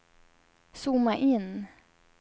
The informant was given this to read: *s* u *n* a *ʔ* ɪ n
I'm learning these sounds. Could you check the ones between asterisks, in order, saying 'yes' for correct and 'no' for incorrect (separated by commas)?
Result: yes, no, yes